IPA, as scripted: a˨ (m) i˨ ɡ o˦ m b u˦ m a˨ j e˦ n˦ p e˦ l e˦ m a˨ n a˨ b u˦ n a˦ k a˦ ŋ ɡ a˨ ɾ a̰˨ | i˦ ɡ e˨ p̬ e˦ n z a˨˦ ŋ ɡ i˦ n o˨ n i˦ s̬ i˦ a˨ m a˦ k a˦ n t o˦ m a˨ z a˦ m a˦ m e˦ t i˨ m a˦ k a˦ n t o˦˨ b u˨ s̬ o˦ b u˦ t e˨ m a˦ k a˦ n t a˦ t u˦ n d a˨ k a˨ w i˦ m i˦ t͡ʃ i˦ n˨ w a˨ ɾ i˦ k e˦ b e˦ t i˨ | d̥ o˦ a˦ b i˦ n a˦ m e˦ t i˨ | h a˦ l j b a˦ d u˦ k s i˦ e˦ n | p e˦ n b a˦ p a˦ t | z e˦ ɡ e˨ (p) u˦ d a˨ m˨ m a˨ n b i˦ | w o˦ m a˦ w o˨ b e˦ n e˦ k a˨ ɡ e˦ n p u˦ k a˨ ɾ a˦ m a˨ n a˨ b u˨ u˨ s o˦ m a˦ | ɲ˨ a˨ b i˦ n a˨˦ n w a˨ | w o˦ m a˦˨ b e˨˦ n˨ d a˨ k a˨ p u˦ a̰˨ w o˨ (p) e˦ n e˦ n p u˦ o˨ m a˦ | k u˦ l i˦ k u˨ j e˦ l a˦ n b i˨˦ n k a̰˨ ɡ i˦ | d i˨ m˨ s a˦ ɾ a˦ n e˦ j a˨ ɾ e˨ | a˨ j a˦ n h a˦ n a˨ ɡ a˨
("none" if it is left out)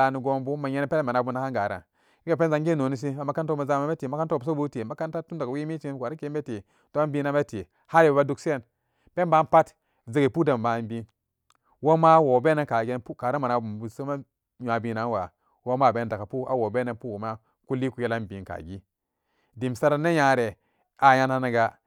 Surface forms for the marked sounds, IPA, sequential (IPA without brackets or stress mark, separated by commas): n, p, b